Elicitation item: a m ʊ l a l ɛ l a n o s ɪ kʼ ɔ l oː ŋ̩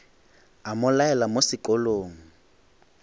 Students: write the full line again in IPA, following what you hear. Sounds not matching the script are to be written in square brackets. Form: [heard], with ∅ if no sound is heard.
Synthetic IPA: a m ʊ l a [∅] ɛ l a [m] o s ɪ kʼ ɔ l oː ŋ̩